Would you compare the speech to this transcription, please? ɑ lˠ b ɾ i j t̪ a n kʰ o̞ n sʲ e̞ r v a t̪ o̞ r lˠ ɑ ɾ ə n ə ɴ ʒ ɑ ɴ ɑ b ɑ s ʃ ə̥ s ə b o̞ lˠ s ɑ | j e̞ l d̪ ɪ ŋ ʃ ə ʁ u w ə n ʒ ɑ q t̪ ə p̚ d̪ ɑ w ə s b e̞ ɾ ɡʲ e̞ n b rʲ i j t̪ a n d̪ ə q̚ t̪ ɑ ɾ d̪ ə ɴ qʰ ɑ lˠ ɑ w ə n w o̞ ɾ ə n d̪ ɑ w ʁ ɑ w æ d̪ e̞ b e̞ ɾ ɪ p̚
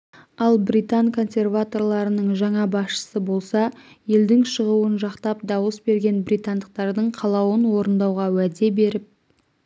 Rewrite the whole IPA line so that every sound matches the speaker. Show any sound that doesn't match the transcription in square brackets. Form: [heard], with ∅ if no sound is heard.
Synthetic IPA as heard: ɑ lˠ b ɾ i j t̪ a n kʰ o̞ n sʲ e̞ r v a t̪ o̞ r lˠ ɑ ɾ ə n ə ɴ ʒ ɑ ɴ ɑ b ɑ s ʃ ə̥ s ə b o̞ lˠ s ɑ | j e̞ l d̪ ɪ ŋ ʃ ə ʁ u w ə n ʒ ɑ q t̪ [ɑ] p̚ d̪ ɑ w ə s b e̞ ɾ ɡʲ e̞ n b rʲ i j t̪ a n d̪ ə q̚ t̪ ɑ ɾ d̪ ə ɴ qʰ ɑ lˠ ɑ w ə n w o̞ ɾ ə n d̪ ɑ w ʁ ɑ w æ d̪ e̞ b e̞ ɾ ɪ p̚